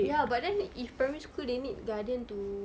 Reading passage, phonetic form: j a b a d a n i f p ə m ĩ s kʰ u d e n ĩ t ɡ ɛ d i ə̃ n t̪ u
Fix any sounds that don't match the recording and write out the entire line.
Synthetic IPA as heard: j a b a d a n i f p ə m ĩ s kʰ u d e n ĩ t ɡ a d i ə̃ n t̪ u

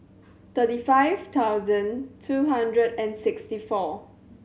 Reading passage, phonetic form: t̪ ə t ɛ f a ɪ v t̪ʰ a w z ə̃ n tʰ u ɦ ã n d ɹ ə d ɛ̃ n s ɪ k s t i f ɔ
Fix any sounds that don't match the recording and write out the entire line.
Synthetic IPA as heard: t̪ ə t i f a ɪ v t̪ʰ a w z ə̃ n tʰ u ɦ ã n d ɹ ə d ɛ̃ n s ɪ k s t i f ɔ

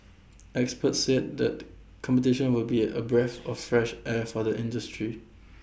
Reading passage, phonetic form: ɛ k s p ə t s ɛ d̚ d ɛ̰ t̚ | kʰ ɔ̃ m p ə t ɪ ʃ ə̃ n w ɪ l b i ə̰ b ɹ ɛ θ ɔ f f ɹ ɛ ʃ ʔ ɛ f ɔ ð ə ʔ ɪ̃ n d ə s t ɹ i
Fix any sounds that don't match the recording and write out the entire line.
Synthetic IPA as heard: ɛ k s p ə t s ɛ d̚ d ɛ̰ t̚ | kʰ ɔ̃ m p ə t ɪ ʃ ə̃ n w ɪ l b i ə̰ b ɹ ɛ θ ɔ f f ɹ ɛ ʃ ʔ ɛ f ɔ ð ə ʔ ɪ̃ n d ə s t ɹ i

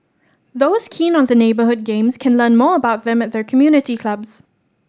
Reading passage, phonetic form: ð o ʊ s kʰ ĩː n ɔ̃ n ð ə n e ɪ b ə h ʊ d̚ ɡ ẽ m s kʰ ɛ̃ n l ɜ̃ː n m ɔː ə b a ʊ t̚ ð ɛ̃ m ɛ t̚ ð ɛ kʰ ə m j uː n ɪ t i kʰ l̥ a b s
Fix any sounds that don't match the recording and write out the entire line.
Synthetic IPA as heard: ð o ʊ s kʰ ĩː n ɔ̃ n ð ə n e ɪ b ə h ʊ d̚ ɡ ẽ m s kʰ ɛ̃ n l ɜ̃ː n m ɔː ə b a ʊ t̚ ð ɛ̃ m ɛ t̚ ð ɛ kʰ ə m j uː n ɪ t i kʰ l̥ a b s

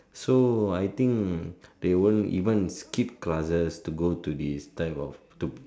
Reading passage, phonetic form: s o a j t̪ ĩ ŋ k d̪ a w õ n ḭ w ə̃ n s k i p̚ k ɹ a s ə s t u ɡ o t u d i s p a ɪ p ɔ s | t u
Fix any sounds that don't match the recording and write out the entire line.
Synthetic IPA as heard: s o a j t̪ ĩ ŋ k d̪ e w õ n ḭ v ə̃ n s k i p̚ k l a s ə s t u ɡ o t u d i s t a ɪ p ɔ f | t u

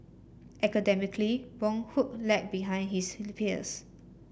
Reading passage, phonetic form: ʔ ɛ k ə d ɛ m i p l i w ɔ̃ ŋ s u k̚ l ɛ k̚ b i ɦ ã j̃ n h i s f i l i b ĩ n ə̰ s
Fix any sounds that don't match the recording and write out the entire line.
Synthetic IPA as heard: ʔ ɛ k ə d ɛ m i k l i w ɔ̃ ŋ h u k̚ l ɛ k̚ b i ɦ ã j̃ n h i s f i l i p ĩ n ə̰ s

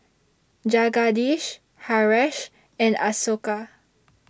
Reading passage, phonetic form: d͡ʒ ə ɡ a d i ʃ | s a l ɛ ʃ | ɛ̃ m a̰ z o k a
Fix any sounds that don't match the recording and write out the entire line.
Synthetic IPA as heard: d͡ʒ a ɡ a d i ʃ | h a ɹ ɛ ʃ | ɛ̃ n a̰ s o k a

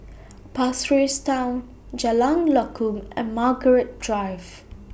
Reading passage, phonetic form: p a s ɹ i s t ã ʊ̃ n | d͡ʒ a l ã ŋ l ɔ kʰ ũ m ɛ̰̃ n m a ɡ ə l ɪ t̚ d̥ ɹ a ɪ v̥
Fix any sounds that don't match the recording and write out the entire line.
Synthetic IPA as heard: p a s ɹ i s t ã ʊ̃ n | d͡ʒ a l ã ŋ l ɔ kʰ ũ m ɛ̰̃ n m a ɡ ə ɹ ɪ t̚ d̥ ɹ a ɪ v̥

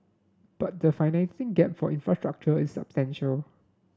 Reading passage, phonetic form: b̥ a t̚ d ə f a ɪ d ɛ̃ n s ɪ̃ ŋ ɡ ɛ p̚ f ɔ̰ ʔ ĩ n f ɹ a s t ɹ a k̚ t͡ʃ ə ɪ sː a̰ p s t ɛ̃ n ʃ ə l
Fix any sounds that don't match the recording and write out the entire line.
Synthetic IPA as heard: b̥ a t̚ d ə f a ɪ n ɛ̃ n s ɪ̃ ŋ ɡ ɛ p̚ f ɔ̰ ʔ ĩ n f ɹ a s t ɹ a k̚ t͡ʃ ə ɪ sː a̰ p s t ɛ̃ n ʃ ə l

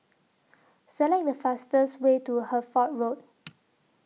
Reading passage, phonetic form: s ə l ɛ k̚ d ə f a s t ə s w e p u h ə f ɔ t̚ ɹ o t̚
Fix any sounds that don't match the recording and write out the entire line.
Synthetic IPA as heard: s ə l ɛ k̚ d ə f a s t ə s w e t u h ə f ɔ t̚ ɹ o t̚

